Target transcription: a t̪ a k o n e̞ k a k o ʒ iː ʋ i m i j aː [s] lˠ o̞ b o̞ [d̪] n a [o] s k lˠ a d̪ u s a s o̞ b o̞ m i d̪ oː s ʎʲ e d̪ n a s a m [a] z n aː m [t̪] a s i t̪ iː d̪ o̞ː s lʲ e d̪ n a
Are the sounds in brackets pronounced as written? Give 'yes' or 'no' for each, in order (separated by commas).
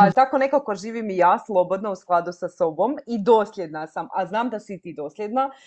yes, yes, no, yes, no